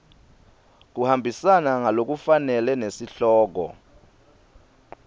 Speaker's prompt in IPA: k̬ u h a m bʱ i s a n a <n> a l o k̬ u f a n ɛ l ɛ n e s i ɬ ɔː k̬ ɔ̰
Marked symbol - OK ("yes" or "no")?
no